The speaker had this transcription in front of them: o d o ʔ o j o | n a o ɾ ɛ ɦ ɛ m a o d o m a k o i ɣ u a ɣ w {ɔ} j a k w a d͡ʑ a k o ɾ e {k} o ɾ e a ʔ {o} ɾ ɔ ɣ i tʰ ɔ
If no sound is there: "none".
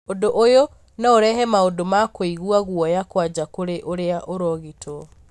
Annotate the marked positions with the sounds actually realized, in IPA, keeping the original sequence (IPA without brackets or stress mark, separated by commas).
ɔ, ʔ, o